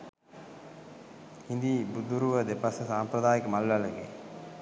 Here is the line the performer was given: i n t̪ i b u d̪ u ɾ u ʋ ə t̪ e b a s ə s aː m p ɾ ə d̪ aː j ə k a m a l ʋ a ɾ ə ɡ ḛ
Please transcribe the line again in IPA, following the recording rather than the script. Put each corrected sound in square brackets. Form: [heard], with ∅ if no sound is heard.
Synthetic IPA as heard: i n [d̪] i b u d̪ u ɾ u ʋ ə [d̪] e [p] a s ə s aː m p ɾ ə d̪ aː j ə k [ə] m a l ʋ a [l] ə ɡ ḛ